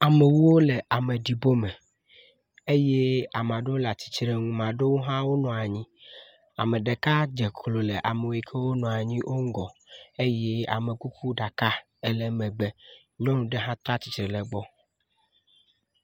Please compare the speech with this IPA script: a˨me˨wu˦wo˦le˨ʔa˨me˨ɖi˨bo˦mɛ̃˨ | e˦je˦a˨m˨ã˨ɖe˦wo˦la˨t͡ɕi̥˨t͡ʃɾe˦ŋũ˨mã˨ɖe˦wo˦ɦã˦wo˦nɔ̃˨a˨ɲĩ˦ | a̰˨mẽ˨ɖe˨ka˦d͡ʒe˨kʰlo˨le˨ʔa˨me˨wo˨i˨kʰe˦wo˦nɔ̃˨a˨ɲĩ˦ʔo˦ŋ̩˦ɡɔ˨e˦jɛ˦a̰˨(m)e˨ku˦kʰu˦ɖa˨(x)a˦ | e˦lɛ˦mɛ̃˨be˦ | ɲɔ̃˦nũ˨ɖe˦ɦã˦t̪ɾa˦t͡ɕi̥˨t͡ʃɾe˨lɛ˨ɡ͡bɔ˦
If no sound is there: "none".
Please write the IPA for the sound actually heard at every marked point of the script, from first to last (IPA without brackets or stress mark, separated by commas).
m, k